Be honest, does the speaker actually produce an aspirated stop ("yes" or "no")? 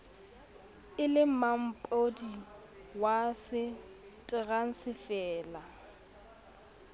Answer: no